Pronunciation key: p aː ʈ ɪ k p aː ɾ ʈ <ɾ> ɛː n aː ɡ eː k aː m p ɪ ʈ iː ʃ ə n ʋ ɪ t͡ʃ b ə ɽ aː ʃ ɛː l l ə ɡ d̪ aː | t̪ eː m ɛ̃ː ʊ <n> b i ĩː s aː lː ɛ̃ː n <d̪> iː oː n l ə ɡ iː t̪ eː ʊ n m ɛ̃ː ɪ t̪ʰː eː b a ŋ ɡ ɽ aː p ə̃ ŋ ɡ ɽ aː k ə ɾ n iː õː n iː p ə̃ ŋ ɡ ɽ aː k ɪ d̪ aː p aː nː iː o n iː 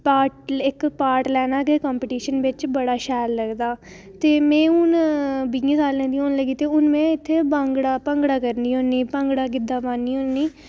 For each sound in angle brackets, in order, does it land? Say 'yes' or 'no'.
no, yes, yes

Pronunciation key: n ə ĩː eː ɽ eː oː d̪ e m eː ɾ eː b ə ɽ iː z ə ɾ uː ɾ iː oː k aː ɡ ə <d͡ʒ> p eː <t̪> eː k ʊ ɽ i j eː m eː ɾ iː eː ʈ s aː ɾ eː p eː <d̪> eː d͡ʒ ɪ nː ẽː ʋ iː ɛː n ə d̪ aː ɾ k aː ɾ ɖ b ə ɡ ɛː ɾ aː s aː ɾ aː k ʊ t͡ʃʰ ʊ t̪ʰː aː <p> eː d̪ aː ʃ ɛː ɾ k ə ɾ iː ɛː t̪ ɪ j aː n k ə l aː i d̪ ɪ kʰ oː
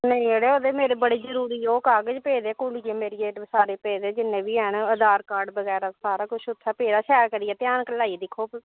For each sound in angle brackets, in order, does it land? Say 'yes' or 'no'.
yes, no, yes, yes

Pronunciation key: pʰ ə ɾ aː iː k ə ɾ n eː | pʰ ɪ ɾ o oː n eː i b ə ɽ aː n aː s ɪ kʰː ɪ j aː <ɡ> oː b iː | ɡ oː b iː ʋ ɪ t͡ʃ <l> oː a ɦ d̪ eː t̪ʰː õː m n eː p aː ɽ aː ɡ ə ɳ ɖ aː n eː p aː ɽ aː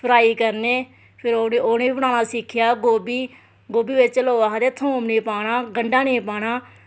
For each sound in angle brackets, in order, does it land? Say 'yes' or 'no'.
yes, yes

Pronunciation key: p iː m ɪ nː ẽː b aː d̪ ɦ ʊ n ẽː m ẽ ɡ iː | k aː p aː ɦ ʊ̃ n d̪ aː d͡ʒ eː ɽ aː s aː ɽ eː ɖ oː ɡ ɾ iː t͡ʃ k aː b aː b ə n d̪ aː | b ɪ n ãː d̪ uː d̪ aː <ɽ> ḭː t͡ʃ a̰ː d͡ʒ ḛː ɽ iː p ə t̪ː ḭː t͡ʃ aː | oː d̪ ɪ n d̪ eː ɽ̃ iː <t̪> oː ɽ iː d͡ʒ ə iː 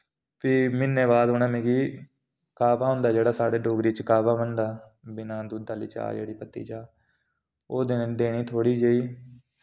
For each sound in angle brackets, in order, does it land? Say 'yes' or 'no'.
no, no

